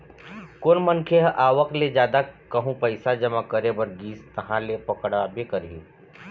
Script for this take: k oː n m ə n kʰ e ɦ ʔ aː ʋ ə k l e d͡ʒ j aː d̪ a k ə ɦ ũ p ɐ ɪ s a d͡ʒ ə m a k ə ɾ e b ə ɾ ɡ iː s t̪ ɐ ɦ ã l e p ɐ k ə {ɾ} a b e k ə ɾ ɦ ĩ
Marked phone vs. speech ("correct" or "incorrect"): incorrect